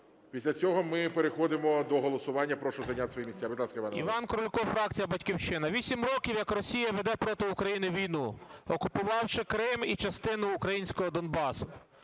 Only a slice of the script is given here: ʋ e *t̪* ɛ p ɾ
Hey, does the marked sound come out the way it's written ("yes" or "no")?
no